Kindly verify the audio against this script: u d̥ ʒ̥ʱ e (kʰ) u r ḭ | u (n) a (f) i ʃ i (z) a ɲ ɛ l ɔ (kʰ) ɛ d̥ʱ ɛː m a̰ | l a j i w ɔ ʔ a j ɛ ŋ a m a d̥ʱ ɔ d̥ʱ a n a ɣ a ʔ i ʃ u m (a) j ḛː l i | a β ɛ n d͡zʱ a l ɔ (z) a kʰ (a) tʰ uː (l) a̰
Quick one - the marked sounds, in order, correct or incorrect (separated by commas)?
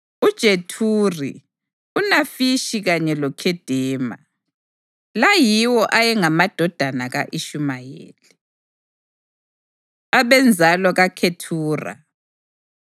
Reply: incorrect, correct, correct, incorrect, correct, correct, incorrect, incorrect, incorrect